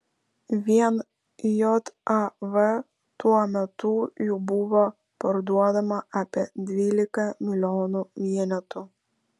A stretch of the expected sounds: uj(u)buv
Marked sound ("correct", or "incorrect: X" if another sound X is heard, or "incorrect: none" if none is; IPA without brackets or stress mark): correct